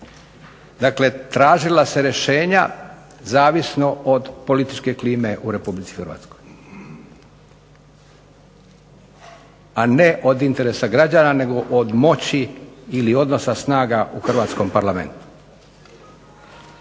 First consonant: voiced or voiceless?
voiced